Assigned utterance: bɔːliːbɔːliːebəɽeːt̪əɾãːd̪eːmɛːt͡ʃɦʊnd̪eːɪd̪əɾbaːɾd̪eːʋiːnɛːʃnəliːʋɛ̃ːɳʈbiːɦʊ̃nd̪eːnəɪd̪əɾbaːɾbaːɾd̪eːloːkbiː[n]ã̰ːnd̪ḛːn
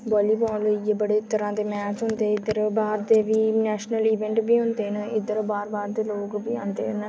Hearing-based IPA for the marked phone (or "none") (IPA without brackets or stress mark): none